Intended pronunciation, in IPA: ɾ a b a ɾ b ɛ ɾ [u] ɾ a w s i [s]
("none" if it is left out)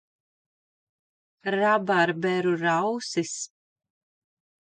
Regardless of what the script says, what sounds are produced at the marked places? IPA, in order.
u, s

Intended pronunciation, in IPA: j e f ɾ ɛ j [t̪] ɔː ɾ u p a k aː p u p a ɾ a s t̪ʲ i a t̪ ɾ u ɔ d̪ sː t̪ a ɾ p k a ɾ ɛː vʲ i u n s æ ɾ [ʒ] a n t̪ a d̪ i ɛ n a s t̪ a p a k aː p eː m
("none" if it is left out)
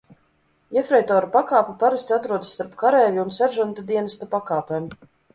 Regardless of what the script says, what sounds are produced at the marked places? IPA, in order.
t̪, ʒ

